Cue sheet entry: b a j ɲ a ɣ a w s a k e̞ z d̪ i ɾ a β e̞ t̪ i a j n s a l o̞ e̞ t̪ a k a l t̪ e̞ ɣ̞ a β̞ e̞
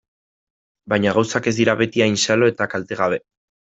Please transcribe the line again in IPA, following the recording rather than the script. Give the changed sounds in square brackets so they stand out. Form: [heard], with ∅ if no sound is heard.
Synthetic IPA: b a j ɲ a ɣ a w s a k e̞ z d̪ i ɾ a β e̞ t̪ i a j n s a l o̞ e̞ t̪ a k a l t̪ e̞ ɣ̞ a β̞ e̞